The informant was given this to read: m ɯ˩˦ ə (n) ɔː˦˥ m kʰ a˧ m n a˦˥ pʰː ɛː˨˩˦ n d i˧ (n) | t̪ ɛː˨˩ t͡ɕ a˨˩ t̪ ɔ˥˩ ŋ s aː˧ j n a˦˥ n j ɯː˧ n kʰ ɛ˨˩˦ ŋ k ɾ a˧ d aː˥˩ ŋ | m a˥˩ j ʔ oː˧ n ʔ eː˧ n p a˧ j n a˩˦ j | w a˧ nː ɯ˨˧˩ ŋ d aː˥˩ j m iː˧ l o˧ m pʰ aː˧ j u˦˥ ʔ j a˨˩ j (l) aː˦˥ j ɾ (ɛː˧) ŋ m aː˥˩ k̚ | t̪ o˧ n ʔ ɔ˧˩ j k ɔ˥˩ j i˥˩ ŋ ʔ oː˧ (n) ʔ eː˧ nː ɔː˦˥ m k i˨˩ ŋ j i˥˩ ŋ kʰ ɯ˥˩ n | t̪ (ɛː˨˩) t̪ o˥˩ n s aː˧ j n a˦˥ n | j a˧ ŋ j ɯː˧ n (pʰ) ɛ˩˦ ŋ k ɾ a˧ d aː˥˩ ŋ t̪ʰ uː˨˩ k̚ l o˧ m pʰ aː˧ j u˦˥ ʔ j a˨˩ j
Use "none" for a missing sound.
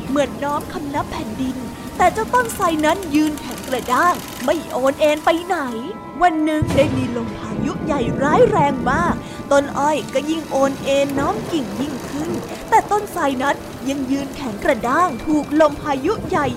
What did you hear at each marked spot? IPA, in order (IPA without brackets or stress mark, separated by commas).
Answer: nː, n, ɾ, ɛː˧, n, ɛː˨˩, kʰ